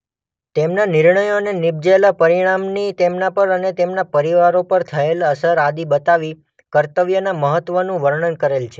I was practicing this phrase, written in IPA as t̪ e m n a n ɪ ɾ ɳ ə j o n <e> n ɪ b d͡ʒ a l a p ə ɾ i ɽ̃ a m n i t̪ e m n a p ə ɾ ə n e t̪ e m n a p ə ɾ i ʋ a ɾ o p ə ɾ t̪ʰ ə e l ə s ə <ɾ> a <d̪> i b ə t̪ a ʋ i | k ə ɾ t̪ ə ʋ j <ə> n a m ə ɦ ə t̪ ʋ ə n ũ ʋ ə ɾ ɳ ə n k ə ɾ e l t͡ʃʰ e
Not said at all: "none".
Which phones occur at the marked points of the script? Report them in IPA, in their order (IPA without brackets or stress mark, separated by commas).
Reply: e, ɾ, d̪, ə